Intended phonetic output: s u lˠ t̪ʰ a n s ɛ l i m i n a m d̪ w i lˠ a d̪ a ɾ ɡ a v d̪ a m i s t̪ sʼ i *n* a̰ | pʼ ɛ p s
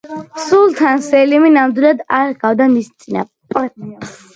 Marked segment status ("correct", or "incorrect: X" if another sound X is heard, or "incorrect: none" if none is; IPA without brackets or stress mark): correct